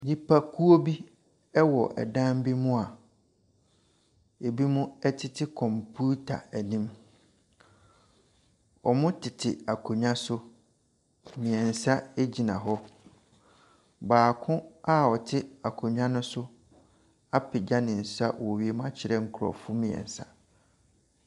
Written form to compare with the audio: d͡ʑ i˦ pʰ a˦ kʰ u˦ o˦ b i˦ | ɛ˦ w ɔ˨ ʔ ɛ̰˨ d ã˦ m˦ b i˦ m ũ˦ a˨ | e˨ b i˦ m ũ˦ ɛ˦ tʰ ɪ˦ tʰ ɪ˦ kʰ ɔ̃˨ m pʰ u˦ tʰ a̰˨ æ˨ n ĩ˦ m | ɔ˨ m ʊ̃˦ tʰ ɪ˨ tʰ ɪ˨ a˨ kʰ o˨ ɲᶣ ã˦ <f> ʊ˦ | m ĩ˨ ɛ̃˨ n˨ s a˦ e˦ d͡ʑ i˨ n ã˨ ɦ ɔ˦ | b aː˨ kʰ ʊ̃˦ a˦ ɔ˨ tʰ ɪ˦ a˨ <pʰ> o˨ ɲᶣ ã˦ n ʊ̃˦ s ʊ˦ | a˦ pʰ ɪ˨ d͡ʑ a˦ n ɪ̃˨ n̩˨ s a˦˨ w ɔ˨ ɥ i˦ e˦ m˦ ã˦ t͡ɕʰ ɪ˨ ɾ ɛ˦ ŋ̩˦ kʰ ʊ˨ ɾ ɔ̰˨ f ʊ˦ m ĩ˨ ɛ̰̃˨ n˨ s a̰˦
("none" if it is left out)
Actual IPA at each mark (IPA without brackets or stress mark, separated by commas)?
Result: s, kʰ